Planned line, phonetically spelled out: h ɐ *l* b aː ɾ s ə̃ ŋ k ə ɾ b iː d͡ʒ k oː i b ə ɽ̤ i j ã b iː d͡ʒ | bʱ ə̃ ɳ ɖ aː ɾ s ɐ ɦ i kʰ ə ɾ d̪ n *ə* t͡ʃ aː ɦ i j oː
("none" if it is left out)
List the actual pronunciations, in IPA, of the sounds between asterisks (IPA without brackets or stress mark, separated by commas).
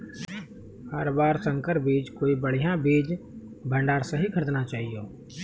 ɾ, a